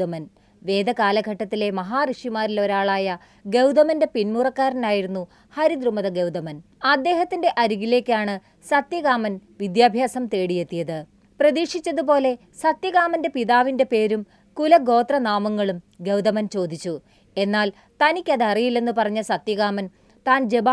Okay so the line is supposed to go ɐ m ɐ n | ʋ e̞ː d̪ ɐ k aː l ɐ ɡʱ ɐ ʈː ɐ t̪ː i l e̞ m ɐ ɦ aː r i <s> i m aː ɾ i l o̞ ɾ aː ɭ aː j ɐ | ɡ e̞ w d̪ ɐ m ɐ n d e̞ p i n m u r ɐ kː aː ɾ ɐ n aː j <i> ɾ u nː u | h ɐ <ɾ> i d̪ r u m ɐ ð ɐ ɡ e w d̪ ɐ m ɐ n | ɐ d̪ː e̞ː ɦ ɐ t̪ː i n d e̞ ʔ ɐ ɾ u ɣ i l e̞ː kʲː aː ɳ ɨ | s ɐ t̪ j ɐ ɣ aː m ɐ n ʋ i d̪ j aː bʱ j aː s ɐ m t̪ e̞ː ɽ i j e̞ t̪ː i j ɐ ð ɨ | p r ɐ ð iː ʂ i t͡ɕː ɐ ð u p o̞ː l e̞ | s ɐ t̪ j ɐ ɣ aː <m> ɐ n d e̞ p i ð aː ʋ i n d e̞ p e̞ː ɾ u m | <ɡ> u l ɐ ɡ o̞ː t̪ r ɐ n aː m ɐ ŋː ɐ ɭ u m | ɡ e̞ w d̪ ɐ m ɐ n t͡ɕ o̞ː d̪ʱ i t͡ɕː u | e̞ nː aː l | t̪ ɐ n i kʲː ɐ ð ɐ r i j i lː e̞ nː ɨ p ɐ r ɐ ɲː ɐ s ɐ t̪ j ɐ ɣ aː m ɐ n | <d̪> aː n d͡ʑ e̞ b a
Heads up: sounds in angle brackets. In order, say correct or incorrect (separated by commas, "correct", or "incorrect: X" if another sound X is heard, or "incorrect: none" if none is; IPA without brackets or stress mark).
incorrect: ʂ, correct, correct, correct, incorrect: k, incorrect: t̪